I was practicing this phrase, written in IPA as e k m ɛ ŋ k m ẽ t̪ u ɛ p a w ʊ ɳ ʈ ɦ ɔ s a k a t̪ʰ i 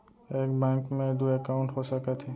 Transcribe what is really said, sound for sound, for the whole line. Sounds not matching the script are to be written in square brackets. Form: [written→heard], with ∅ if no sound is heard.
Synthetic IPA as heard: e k [m→b] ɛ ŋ k m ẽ [t̪→d̪] u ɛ [p→k] a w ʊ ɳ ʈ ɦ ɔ s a k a t̪ʰ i